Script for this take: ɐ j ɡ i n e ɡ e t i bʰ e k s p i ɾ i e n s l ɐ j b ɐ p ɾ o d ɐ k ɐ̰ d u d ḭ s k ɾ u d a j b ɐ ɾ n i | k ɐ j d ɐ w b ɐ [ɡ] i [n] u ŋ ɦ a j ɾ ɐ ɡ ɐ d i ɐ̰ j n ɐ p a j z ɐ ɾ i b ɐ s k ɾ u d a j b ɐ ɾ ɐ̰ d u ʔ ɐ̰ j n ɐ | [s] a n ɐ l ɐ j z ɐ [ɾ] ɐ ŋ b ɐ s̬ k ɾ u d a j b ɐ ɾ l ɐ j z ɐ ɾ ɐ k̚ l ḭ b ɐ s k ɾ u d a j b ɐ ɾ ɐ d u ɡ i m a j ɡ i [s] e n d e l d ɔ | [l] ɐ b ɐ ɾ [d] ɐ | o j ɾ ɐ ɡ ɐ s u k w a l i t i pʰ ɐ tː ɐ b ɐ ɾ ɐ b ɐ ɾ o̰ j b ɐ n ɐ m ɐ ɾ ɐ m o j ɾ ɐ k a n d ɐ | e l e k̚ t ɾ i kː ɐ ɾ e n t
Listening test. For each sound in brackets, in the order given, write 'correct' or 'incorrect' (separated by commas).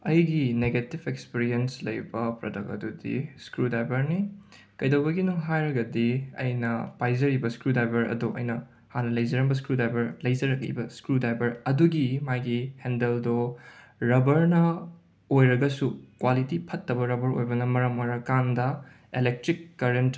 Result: correct, correct, incorrect, correct, incorrect, incorrect, incorrect